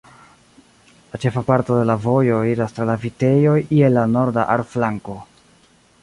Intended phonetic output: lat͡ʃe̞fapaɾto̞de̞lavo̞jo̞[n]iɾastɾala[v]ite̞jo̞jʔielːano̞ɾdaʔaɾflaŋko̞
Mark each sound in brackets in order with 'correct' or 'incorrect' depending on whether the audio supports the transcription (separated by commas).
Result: incorrect, correct